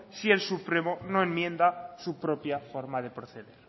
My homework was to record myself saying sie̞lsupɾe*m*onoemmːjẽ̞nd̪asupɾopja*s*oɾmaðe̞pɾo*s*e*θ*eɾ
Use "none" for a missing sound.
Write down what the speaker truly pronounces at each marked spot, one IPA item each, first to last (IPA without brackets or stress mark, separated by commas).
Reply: m, f, θ, ð